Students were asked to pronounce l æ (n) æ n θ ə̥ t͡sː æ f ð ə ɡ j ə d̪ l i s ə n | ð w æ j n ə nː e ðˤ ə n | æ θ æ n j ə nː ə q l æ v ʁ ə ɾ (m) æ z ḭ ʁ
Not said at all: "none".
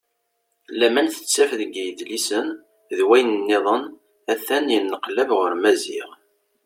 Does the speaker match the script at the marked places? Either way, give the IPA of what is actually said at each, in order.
m, m

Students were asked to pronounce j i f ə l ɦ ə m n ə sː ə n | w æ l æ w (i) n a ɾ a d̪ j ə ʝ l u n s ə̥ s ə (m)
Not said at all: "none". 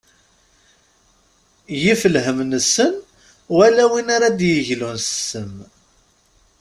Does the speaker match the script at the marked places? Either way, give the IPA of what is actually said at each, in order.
i, m

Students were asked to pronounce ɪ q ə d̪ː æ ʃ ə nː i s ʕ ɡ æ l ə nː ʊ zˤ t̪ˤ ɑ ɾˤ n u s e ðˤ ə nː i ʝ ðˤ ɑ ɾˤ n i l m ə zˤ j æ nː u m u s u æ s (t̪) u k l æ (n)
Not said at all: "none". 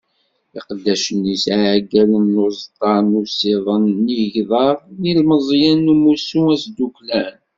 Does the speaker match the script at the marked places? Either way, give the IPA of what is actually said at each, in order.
d̪, n

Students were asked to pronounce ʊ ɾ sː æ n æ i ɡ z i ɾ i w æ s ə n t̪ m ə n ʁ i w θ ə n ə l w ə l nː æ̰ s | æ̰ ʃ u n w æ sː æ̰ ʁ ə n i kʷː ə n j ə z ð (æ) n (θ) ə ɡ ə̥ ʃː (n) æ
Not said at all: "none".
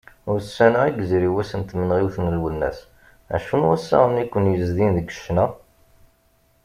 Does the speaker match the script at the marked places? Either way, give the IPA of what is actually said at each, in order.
i, ð, n

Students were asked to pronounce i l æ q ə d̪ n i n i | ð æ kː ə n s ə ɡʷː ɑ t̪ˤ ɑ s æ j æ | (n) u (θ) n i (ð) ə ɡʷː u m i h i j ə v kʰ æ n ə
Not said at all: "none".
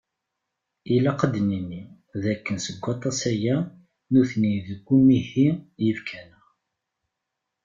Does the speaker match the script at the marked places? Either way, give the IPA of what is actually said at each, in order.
n, θ, ð

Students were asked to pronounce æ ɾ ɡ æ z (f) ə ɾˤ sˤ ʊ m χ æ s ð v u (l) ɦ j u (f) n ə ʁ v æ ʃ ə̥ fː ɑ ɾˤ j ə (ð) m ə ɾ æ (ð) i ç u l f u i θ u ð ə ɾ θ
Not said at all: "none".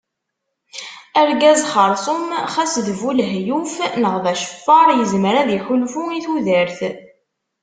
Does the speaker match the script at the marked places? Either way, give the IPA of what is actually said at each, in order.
χ, l, f, z, ð

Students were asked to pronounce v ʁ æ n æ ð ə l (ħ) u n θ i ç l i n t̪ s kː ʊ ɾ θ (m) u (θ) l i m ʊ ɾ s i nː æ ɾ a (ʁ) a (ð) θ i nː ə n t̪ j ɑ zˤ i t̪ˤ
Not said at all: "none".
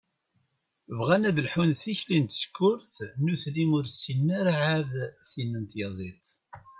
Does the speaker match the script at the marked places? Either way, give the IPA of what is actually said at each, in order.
ħ, n, θ, ʕ, ð

